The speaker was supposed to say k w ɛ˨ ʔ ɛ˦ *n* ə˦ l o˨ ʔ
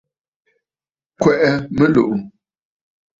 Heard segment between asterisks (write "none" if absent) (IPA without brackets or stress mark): m